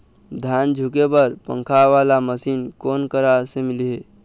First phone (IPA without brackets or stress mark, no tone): d̪ʱ